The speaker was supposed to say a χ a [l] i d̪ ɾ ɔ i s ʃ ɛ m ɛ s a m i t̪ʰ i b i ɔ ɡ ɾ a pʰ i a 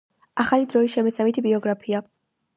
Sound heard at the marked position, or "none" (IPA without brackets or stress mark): l